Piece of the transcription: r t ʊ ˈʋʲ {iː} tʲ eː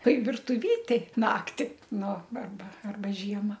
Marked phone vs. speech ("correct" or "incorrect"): correct